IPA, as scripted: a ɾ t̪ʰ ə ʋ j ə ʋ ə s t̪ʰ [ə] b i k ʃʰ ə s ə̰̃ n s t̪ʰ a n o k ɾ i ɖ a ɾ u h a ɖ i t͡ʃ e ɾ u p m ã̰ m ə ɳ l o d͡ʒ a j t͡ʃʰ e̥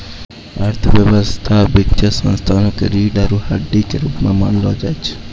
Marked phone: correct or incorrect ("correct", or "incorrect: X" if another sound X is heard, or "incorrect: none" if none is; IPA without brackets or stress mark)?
incorrect: a